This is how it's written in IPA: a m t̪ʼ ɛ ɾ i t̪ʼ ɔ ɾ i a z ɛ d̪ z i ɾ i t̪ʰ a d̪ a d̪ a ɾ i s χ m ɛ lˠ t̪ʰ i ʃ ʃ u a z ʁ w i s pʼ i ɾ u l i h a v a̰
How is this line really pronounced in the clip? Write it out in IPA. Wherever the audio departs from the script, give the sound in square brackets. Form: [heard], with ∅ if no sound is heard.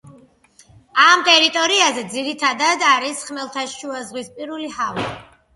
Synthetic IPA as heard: a m t̪ʼ ɛ ɾ i t̪ʼ ɔ ɾ i a z ɛ d̪ z i ɾ i t̪ʰ a d̪ a d̪ a ɾ i s χ m ɛ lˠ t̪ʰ [a] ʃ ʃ u a z ʁ w i s pʼ i ɾ u l i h a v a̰